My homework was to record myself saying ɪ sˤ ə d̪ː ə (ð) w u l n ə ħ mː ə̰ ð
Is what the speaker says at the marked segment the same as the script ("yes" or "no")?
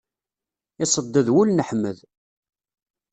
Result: yes